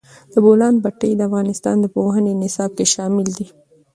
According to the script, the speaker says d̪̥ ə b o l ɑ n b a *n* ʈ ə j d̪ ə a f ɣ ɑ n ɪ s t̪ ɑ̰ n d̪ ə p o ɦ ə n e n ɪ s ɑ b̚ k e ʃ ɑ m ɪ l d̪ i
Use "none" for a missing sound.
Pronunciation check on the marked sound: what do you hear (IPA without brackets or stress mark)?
none